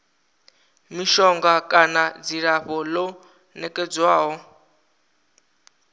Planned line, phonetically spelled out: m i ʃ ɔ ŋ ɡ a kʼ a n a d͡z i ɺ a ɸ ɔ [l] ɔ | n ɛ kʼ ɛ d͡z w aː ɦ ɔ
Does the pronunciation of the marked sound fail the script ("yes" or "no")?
no